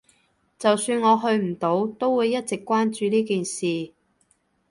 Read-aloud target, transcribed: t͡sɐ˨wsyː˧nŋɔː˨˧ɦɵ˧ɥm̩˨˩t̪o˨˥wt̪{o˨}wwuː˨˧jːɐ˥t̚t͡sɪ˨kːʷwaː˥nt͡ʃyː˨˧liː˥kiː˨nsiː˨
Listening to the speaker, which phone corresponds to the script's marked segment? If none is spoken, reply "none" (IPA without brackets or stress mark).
o˥